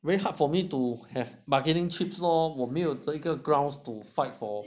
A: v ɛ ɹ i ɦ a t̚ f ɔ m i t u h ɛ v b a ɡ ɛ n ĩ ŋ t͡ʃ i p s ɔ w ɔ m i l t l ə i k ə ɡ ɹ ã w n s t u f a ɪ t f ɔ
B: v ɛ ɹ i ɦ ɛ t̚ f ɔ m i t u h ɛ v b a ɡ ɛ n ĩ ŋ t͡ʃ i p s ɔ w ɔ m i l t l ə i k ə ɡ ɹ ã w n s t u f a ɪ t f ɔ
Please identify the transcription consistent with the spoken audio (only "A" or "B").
A